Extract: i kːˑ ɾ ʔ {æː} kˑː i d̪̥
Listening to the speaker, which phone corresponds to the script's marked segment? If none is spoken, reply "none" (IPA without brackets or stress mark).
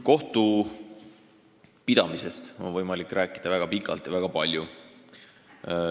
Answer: æː